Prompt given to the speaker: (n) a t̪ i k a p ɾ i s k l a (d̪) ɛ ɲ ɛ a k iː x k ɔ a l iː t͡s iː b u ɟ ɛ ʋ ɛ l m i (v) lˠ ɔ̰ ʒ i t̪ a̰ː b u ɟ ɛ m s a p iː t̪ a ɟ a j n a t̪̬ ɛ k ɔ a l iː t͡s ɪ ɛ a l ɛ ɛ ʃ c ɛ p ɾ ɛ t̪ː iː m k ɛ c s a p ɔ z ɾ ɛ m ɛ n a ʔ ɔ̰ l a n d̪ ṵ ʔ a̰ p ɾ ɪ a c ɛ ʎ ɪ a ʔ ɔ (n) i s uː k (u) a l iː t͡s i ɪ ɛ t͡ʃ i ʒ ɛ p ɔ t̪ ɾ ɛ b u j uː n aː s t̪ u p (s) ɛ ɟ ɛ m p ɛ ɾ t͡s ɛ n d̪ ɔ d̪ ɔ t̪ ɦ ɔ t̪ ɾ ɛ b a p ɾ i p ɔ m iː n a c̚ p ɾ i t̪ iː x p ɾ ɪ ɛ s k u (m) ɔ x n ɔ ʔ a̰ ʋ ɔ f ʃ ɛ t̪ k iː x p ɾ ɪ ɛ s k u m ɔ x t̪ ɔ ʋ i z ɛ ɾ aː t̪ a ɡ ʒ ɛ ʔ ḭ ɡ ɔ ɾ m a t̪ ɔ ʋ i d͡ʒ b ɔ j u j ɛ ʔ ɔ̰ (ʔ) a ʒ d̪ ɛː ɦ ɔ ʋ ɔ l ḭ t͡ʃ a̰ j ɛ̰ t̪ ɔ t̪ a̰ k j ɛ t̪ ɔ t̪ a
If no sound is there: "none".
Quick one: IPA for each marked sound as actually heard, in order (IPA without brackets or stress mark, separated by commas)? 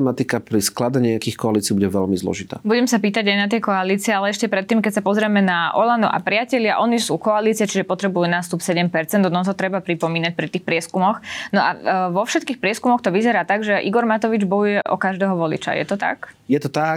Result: m, d̪, z, n, ɔ, s, m, k